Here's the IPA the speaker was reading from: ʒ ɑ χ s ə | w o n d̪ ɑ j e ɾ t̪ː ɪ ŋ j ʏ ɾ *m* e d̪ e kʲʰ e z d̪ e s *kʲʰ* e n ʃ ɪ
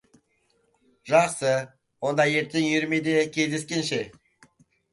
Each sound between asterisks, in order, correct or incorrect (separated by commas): correct, incorrect